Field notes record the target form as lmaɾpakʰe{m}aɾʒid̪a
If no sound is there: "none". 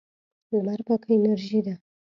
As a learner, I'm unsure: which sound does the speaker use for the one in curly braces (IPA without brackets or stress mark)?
n